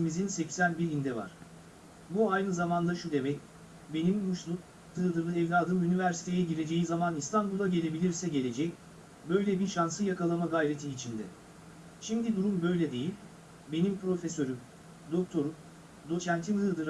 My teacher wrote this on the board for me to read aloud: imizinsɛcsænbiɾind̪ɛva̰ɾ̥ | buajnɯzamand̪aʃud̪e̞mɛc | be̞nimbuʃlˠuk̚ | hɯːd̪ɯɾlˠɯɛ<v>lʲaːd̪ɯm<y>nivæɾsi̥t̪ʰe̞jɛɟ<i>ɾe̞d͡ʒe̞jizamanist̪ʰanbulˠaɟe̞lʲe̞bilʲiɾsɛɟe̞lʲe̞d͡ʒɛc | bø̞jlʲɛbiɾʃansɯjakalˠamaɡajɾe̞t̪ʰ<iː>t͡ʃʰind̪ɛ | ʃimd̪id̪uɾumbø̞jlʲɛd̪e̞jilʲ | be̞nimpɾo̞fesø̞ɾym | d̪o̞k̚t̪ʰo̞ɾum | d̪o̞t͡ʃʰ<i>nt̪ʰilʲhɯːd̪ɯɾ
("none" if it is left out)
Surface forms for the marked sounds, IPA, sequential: v, y, i, iː, æ

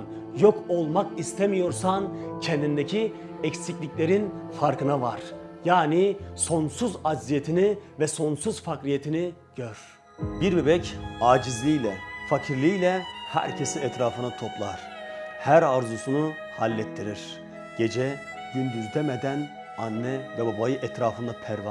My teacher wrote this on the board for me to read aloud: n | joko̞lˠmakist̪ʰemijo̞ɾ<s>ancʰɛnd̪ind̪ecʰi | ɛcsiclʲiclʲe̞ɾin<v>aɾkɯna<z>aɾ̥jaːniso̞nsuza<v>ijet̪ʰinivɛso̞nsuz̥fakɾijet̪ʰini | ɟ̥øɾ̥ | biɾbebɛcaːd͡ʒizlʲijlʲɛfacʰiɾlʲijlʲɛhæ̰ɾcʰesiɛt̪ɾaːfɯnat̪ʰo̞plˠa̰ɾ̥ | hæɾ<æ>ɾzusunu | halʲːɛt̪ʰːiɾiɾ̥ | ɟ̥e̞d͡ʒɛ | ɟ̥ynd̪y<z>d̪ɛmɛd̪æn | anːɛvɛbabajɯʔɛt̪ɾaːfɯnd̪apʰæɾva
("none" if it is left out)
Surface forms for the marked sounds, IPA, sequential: s, f, v, z, a, z

